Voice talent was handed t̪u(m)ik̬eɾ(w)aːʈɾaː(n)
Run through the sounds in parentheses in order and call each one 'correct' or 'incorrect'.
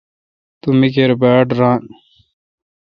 correct, incorrect, correct

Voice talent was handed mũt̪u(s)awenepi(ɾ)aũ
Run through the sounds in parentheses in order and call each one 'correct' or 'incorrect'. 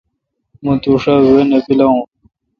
incorrect, incorrect

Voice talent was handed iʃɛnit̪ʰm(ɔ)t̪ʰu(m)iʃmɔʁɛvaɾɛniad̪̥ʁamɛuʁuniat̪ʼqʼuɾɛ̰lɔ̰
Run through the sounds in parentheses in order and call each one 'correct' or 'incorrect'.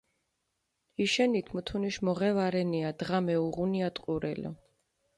incorrect, incorrect

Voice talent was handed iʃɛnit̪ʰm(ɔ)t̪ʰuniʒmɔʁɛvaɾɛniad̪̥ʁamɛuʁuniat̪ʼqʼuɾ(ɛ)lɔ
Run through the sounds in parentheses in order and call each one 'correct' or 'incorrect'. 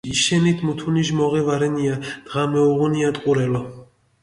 incorrect, correct

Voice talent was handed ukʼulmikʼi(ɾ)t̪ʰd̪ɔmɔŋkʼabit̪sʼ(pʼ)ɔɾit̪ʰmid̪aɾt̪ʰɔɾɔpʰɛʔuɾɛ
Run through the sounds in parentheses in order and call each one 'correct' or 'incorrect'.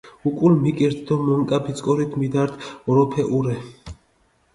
correct, incorrect

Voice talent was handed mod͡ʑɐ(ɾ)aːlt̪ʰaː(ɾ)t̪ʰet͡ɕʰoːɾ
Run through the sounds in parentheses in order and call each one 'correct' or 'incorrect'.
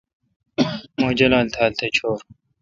incorrect, incorrect

